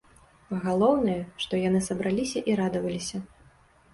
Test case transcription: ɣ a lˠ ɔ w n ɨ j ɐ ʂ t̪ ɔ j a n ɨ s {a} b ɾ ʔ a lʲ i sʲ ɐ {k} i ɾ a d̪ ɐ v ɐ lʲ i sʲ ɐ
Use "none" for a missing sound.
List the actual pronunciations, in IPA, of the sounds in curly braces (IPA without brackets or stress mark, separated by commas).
ɐ, ʔ